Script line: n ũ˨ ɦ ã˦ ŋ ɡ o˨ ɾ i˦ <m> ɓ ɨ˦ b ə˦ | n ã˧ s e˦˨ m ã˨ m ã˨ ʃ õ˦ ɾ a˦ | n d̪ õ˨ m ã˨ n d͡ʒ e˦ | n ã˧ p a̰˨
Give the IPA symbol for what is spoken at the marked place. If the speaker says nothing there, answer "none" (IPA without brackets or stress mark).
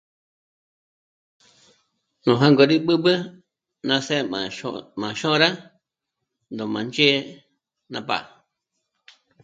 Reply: none